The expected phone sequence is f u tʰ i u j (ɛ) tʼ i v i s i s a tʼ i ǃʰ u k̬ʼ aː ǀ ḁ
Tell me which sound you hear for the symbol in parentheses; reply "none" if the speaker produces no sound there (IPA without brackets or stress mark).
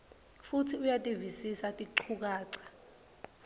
a